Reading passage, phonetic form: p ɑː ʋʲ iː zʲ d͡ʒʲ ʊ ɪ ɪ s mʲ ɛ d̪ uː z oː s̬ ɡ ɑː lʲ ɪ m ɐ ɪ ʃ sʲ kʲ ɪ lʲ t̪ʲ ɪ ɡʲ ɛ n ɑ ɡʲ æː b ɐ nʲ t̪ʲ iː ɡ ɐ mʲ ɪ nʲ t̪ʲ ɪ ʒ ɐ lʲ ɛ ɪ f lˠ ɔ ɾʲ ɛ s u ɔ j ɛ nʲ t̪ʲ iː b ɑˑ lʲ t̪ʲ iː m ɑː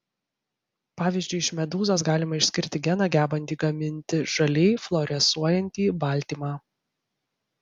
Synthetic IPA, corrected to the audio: p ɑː ʋʲ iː zʲ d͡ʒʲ ʊ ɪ ɪ ʃ mʲ ɛ d̪ uː z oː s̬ ɡ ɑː lʲ ɪ m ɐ ɪ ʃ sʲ kʲ ɪ ɾʲ t̪ʲ ɪ ɡʲ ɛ n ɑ ɡʲ æː b ɐ nʲ t̪ʲ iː ɡ ɐ mʲ ɪ nʲ t̪ʲ ɪ ʒ ɐ lʲ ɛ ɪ f lˠ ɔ ɾʲ ɛ s u ɔ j ɛ nʲ t̪ʲ iː b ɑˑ lʲ t̪ʲ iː m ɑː